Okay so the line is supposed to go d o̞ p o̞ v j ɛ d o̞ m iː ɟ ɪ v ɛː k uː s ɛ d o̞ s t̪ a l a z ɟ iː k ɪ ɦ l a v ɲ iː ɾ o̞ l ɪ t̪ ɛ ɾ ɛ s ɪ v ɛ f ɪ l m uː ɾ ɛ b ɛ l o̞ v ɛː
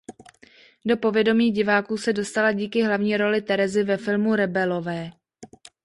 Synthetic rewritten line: d o̞ p o̞ v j ɛ d o̞ m iː ɟ ɪ v aː k uː s ɛ d o̞ s t̪ a l a ɟ iː k ɪ ɦ l a v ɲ iː ɾ o̞ l ɪ t̪ ɛ ɾ ɛ z ɪ v ɛ f ɪ l m u ɾ ɛ b ɛ l o̞ v ɛː